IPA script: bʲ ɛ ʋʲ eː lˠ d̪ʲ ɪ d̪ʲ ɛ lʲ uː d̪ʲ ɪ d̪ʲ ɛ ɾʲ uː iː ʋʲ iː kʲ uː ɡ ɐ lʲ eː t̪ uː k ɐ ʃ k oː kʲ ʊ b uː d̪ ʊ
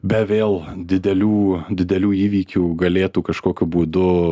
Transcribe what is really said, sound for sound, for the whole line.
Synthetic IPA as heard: bʲ ɛ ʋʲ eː lˠ d̪ʲ ɪ d̪ʲ ɛ lʲ uː d̪ʲ ɪ d̪ʲ ɛ lʲ uː iː ʋʲ iː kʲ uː ɡ ɐ lʲ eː t̪ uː k ɐ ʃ k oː kʲ ʊ b uː d̪ ʊ